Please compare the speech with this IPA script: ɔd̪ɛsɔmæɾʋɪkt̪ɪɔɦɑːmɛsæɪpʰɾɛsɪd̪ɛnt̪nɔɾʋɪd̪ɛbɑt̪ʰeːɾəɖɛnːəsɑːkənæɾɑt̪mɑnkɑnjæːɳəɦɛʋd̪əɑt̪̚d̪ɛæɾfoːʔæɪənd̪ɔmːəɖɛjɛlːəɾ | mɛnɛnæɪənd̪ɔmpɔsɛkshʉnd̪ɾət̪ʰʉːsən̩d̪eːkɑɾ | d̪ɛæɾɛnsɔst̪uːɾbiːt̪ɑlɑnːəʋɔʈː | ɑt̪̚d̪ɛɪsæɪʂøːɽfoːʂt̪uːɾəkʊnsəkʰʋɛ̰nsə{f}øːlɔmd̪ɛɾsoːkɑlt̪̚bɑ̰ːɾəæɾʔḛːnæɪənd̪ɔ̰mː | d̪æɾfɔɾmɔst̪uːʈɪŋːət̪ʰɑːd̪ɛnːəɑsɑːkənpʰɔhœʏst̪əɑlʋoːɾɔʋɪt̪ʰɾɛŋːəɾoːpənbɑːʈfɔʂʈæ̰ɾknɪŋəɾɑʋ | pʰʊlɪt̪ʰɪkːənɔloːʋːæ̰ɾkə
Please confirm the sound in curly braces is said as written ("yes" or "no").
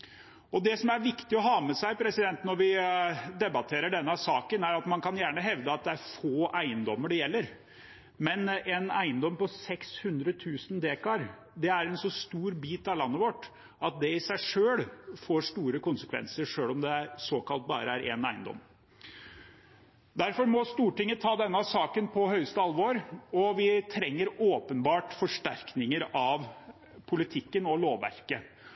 no